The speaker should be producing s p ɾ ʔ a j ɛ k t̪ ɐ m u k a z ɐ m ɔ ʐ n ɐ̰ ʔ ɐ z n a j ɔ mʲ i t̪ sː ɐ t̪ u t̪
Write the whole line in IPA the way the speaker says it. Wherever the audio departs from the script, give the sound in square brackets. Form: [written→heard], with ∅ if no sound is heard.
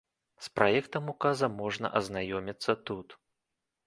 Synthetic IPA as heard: s p ɾ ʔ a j ɛ k t̪ ɐ m u k a z ɐ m ɔ ʐ n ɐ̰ ʔ ɐ z n a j ɔ mʲ i t̪ sː ɐ t̪ u t̪